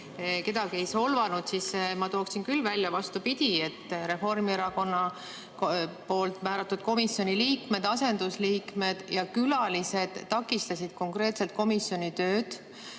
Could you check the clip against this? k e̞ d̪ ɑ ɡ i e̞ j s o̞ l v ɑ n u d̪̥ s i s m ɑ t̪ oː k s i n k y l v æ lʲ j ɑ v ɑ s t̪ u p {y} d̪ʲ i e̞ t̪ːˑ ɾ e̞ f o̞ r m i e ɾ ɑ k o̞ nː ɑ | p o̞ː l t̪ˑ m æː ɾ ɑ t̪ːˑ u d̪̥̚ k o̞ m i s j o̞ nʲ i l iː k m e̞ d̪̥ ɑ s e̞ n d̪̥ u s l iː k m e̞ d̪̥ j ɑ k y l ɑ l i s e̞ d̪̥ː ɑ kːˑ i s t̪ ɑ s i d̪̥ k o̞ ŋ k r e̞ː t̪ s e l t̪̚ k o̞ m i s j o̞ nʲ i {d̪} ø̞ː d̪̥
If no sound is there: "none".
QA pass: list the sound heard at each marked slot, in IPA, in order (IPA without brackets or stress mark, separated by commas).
i, t̪